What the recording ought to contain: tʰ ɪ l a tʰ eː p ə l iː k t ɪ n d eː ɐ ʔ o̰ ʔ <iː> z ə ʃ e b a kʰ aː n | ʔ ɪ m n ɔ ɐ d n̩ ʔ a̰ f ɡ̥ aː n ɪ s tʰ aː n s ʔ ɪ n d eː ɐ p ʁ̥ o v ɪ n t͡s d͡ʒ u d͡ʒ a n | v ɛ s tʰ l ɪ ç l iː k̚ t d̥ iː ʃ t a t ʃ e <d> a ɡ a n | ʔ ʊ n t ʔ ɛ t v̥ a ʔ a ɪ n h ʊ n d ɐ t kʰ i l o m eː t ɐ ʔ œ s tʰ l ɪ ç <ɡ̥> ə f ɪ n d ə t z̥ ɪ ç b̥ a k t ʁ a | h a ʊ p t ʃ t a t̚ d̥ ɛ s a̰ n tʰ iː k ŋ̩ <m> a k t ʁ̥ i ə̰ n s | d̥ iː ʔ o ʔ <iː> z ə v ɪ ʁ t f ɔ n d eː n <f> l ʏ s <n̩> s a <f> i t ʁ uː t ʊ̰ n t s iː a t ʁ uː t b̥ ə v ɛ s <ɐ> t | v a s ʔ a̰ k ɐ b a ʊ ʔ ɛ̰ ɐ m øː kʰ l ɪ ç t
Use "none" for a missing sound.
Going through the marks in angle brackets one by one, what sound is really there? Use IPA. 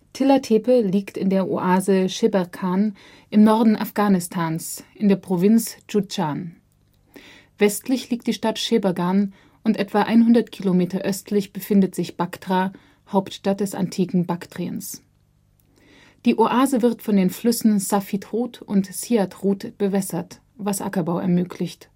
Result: aː, b, b̥, b, aː, f, n̩, f, ɐ

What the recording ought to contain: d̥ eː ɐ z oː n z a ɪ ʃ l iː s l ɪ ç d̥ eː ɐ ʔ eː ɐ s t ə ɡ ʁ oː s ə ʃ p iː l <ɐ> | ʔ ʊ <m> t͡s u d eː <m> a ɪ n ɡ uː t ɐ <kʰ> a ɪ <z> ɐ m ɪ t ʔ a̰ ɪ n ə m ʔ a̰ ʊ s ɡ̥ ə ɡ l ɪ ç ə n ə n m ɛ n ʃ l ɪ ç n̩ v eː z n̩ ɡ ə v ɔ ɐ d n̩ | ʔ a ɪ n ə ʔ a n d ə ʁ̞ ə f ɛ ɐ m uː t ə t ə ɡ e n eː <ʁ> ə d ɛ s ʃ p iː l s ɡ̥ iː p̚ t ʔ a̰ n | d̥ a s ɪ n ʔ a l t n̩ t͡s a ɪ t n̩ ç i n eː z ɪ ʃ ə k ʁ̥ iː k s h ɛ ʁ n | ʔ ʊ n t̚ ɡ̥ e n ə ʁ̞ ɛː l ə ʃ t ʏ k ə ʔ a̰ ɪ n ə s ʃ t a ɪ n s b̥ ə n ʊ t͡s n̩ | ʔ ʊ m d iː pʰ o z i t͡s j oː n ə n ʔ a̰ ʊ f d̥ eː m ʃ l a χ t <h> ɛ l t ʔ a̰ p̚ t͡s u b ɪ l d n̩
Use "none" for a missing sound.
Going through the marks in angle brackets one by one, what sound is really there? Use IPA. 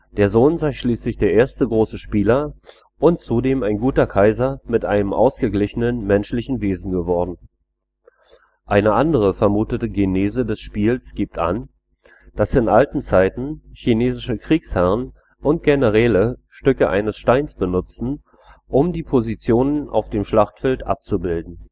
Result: ɐ, n, m, kʰ, z, z, f

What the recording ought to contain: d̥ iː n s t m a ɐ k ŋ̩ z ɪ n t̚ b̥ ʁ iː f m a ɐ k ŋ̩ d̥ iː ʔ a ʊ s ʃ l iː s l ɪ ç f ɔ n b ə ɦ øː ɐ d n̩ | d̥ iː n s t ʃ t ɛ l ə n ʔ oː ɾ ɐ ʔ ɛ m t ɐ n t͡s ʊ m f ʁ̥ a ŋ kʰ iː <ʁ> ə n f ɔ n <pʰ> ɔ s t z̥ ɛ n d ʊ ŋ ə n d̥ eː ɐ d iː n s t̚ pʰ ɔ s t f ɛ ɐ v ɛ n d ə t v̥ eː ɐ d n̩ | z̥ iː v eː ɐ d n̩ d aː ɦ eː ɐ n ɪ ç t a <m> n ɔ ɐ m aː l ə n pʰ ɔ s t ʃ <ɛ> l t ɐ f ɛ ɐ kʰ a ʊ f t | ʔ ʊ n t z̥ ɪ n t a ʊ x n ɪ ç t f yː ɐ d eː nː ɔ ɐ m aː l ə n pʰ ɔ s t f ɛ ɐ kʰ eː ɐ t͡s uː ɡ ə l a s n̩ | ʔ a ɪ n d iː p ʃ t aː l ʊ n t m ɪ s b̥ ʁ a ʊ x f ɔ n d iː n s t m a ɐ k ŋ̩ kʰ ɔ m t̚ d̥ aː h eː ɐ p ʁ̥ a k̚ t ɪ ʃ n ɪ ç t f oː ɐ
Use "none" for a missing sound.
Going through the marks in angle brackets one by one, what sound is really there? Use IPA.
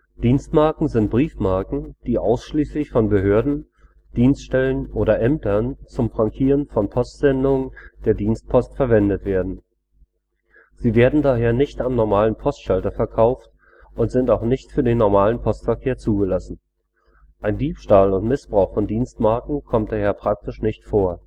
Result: ʁ, pʰ, m, a

